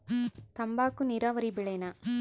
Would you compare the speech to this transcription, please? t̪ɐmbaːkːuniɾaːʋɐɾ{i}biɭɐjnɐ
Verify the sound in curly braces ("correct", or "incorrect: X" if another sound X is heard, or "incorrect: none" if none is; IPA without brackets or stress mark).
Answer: correct